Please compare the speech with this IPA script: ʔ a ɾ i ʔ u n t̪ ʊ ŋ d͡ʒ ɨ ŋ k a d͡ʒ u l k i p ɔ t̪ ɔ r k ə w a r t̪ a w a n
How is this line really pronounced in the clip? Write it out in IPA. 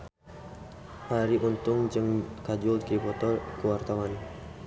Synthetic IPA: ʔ a ɾ i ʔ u n t̪ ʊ ŋ d͡ʒ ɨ ŋ k a d͡ʒ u l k i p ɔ t̪ ɔ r k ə w a r t̪ a w a n